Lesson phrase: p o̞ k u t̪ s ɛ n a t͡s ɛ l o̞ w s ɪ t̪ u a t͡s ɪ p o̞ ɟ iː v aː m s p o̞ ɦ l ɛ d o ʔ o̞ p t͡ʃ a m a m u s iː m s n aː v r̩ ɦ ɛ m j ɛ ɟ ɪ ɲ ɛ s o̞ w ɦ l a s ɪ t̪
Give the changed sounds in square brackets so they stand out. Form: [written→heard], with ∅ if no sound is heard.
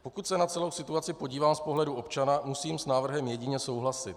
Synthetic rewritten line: p o̞ k u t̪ s ɛ n a t͡s ɛ l o̞ w s ɪ t̪ u a t͡s ɪ p o̞ ɟ iː v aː m s p o̞ ɦ l ɛ d [o→u] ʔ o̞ p t͡ʃ a [m→n] a m u s iː m s n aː v r̩ ɦ ɛ m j ɛ ɟ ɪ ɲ ɛ s o̞ w ɦ l a s ɪ t̪